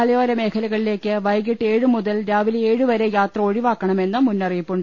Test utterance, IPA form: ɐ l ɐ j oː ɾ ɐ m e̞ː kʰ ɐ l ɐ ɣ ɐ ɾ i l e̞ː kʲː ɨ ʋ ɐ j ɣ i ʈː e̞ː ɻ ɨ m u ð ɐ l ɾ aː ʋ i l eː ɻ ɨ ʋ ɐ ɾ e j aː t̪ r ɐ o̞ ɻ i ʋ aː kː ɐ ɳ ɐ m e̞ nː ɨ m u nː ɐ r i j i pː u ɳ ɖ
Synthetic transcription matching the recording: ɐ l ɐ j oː ɾ ɐ m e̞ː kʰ ɐ l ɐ ɣ ɐ ɭ i l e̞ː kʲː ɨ ʋ ɐ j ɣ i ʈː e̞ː ɻ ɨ m u ð ɐ l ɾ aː ʋ i l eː ɻ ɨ ʋ ɐ ɾ e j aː t̪ r ɐ o̞ ɻ i ʋ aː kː ɐ ɳ ɐ m e̞ nː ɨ m u nː ɐ r i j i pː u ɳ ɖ